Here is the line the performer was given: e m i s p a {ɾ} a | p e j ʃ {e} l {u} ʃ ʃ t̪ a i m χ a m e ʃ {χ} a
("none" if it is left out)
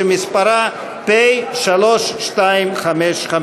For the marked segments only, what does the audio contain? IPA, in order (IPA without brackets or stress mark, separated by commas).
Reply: ɾ, a, o, χ